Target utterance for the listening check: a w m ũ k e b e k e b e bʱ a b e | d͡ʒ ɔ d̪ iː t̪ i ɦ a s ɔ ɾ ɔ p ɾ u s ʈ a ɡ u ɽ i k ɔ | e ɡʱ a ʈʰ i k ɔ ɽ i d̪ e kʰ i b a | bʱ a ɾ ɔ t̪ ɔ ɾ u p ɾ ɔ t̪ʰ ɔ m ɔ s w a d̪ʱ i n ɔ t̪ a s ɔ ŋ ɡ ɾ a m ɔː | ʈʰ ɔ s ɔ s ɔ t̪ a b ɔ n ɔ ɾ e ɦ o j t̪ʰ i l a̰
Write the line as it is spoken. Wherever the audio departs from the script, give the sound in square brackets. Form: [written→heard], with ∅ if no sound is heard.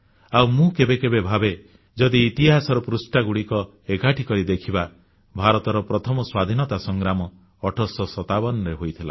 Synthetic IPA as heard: a w m ũ k e b e k e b e bʱ a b e | d͡ʒ ɔ d̪ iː t̪ i ɦ a s ɔ ɾ ɔ p ɾ u s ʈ a ɡ u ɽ i k ɔ | e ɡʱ a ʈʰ i k ɔ [ɽ→ɾ] i d̪ e kʰ i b a | bʱ a ɾ ɔ t̪ ɔ ɾ [u→ɔ] p ɾ ɔ t̪ʰ ɔ m ɔ s w a d̪ʱ i n ɔ t̪ a s ɔ ŋ ɡ ɾ a m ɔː | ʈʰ ɔ s ɔ s ɔ t̪ a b ɔ n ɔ ɾ e ɦ o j t̪ʰ i l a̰